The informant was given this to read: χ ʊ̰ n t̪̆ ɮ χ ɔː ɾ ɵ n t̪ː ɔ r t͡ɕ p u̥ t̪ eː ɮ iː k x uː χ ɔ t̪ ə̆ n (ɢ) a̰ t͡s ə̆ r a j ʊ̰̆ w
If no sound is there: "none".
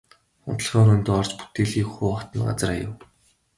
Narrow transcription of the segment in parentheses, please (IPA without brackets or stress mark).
ɢ